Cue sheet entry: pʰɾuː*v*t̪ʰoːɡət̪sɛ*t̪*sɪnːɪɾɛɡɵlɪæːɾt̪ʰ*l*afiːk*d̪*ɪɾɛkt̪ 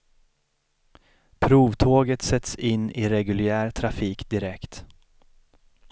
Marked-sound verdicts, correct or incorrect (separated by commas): correct, correct, incorrect, correct